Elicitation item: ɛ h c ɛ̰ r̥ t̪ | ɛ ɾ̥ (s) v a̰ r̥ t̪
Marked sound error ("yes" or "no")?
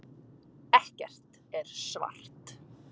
no